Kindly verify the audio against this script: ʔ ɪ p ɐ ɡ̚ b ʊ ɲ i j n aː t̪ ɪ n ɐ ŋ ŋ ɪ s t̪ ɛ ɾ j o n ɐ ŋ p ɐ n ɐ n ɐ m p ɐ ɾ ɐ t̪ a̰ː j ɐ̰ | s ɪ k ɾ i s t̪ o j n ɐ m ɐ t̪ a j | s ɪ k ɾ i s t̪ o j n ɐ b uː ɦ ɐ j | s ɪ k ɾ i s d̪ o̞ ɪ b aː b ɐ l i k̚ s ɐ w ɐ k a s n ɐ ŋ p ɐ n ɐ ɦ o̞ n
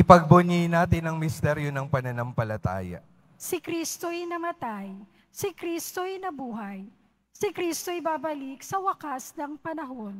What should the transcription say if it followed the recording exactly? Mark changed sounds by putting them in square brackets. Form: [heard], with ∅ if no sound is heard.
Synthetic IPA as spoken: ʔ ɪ p ɐ ɡ̚ b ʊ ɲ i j n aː t̪ ɪ n ɐ ŋ [m] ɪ s t̪ ɛ ɾ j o n ɐ ŋ p ɐ n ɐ n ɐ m p ɐ [l] ɐ t̪ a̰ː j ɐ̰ | s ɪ k ɾ i s t̪ o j n ɐ m ɐ t̪ a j | s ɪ k ɾ i s t̪ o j n ɐ b uː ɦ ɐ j | s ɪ k ɾ i s [t̪] o̞ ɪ b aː b ɐ l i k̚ s ɐ w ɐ k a s n ɐ ŋ p ɐ n ɐ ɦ o̞ n